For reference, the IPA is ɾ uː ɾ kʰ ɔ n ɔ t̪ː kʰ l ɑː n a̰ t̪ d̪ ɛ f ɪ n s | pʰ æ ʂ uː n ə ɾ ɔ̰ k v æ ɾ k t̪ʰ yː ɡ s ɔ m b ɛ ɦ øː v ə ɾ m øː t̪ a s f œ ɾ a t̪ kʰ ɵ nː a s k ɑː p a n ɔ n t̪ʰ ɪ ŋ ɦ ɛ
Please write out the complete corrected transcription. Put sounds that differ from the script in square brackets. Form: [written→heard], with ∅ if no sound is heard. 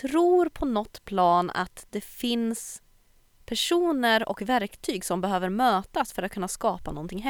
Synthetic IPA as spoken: ɾ uː ɾ [kʰ→pʰ] ɔ n ɔ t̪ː [kʰ→pʰ] l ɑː n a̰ t̪ d̪ ɛ f ɪ n s | pʰ æ ʂ uː n ə ɾ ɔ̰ k v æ ɾ k t̪ʰ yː ɡ s ɔ m b ɛ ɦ øː v ə ɾ m øː t̪ a s f œ ɾ a t̪ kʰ ɵ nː a s k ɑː p a n ɔ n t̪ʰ ɪ ŋ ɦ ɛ